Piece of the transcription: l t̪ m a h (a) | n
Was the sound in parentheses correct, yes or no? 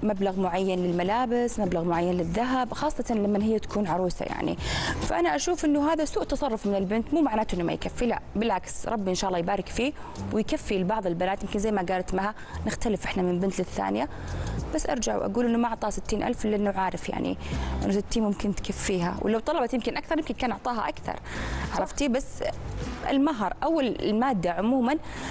yes